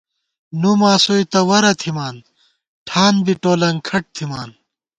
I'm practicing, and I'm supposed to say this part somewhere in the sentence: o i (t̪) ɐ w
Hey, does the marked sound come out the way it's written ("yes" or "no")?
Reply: yes